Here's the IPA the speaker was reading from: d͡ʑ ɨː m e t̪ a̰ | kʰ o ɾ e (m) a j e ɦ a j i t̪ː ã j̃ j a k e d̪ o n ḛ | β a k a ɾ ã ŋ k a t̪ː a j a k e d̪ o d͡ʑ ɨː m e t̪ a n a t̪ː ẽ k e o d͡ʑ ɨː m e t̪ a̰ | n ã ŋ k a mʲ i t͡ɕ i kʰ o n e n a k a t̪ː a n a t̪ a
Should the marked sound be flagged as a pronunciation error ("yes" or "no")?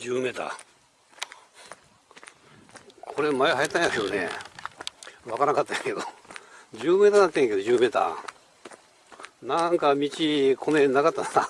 no